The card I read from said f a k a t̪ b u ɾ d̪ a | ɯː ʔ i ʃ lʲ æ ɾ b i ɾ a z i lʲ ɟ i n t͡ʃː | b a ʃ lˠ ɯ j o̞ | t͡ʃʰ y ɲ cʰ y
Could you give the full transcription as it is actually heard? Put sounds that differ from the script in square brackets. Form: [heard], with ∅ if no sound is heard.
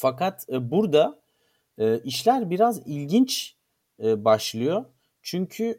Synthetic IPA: f a k a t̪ b u ɾ d̪ a | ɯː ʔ i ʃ lʲ æ ɾ b i ɾ a z i lʲ ɟ i n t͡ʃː | b a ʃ lˠ ɯ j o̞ | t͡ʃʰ y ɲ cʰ y